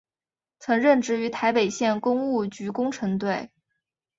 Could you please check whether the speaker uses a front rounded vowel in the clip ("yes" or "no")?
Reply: yes